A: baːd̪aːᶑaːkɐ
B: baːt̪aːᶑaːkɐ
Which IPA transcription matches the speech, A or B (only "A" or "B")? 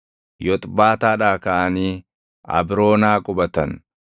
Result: B